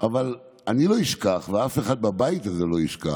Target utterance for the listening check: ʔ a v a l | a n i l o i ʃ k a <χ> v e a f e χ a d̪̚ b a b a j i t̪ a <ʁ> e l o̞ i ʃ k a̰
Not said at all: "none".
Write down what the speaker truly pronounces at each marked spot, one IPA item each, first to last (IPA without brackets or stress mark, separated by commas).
χ, z